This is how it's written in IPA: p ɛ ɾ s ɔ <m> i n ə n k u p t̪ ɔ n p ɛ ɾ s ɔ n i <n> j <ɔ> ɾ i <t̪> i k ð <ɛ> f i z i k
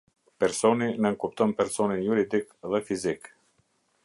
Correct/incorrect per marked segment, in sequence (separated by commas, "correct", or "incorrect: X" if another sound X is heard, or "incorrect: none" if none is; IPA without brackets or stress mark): incorrect: n, correct, incorrect: u, incorrect: d̪, correct